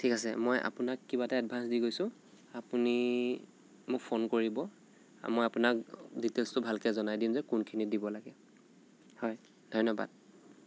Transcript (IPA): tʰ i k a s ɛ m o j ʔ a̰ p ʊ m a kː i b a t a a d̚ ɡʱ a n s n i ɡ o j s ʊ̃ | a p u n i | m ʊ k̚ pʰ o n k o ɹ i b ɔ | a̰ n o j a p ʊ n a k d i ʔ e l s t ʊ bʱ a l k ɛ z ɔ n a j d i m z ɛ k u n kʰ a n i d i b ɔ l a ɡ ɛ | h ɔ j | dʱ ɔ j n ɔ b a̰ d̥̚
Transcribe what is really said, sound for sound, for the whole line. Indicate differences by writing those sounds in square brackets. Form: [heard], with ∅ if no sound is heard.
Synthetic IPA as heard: tʰ i k a s ɛ m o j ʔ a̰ p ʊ [n] a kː i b a t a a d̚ [bʱ] a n s [d] i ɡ o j s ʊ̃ | a p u n i | m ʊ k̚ pʰ o n k o ɹ i b ɔ | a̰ [m] o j a p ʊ n a k d i [t] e l s t ʊ bʱ a l k ɛ z ɔ n a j d i m z ɛ k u n kʰ [i] n i d i b ɔ l a ɡ ɛ | h ɔ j | dʱ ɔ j n ɔ b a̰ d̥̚